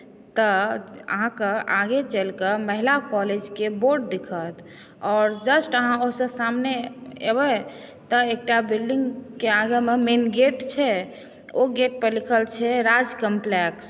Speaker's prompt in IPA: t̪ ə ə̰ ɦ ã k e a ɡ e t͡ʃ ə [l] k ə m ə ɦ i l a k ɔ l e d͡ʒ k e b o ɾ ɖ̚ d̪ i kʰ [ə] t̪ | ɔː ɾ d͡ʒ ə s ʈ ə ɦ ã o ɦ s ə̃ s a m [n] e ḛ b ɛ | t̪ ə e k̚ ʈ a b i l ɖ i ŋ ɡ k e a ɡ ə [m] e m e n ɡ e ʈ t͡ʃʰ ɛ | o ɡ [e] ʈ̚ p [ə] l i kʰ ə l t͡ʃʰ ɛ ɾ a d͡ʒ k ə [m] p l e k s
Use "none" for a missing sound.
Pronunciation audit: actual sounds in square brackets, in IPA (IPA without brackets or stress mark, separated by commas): l, ə, n, m, e, ə, m